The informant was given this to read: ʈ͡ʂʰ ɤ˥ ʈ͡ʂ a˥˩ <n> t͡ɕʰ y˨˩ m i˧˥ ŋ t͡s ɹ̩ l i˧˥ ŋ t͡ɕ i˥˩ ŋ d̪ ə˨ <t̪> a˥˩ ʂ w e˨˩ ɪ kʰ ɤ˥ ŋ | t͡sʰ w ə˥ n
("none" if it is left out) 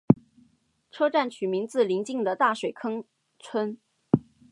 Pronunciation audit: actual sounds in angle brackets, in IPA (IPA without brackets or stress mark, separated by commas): n, t̪